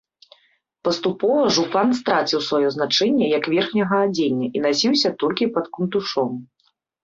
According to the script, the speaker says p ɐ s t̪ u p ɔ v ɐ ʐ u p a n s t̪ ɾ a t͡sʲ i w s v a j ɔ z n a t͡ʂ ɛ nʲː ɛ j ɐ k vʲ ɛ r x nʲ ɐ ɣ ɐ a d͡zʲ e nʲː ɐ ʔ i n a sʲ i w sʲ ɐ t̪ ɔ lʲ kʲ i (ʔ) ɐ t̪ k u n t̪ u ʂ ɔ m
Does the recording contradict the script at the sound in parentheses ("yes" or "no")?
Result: yes